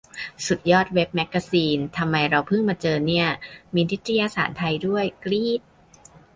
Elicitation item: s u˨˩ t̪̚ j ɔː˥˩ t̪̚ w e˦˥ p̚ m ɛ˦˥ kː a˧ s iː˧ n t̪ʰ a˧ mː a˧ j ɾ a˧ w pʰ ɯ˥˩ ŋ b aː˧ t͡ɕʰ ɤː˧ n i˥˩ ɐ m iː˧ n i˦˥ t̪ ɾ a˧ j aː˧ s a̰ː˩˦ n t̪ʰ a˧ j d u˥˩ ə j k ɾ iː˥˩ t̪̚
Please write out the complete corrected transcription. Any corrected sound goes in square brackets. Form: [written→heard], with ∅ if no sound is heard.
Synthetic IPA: s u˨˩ t̪̚ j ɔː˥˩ t̪̚ w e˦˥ p̚ m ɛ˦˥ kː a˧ s iː˧ n t̪ʰ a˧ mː a˧ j ɾ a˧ w pʰ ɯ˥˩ ŋ [b→m] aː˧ [t͡ɕʰ→t͡ɕ] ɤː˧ n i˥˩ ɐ m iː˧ n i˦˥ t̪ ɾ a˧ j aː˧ s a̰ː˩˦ n t̪ʰ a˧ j d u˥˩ ə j k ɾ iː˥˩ t̪̚